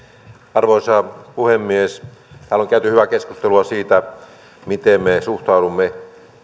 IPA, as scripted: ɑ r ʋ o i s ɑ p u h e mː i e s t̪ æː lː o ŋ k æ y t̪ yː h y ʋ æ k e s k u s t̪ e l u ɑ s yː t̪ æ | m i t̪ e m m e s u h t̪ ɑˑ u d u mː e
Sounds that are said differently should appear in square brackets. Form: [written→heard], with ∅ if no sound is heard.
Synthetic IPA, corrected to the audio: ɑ r ʋ o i s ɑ p u h e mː i e s t̪ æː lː o ŋ k æ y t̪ [yː→y] h y ʋ æ k e s k u s t̪ e l u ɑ s [yː→iː] t̪ æ | m i t̪ e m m e s u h t̪ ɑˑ u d u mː e